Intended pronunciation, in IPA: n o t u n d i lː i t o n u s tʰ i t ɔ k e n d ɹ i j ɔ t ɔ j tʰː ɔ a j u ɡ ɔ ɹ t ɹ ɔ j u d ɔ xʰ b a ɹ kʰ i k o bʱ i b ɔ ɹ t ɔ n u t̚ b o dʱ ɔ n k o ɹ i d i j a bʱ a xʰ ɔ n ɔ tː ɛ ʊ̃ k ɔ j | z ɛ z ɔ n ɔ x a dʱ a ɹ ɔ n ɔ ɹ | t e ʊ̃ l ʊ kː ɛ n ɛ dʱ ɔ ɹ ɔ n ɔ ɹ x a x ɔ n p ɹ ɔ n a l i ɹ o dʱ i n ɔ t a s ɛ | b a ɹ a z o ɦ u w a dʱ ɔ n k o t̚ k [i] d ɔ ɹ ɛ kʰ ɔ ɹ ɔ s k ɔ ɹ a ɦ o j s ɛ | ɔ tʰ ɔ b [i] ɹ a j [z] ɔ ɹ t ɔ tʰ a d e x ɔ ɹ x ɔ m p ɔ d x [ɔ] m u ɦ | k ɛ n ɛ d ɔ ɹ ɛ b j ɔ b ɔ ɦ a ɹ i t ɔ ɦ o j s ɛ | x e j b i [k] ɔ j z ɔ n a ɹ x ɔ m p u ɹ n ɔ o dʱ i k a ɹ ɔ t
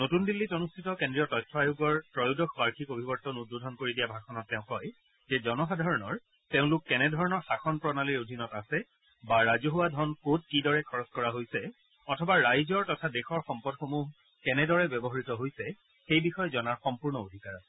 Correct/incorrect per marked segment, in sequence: correct, incorrect, correct, incorrect, incorrect

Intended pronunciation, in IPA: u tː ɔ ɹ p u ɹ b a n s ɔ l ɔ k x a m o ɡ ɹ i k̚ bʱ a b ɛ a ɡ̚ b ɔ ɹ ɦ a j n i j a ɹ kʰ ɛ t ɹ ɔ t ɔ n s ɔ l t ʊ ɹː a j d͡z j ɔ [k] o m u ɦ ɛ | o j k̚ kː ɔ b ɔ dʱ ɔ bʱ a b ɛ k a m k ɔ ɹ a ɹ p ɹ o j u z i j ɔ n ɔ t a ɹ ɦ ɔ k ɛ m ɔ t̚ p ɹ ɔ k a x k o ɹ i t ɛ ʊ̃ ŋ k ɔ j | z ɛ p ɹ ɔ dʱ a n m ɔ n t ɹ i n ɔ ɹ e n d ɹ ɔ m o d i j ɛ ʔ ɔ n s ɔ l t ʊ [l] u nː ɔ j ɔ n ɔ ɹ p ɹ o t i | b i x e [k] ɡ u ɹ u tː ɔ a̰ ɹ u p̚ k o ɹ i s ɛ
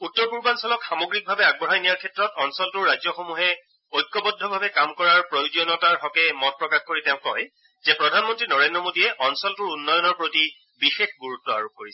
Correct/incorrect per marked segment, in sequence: incorrect, incorrect, incorrect

